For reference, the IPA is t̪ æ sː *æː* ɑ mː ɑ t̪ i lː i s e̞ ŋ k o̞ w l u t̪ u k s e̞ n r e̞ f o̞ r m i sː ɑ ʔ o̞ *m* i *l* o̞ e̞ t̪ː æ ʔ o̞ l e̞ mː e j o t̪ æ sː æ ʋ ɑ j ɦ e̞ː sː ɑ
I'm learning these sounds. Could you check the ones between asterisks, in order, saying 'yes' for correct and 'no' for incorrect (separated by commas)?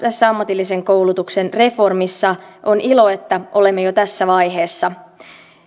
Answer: no, no, yes